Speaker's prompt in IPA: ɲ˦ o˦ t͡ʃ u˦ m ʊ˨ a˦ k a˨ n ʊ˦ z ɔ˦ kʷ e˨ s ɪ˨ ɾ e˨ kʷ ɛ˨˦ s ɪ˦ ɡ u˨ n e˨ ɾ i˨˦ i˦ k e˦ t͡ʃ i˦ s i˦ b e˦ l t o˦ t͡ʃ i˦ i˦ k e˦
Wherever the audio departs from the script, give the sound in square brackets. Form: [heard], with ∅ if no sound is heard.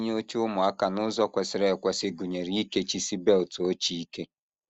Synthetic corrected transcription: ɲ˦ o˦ t͡ʃ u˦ m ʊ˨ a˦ k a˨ n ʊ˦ z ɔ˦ kʷ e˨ s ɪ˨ ɾ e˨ kʷ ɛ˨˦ s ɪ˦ ɡ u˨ [ɲ] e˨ ɾ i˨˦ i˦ k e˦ t͡ʃ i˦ s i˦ b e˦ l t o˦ t͡ʃ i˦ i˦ k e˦